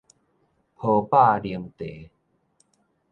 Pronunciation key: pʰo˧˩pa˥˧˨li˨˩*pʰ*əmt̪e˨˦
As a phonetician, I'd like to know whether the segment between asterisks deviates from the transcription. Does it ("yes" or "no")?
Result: yes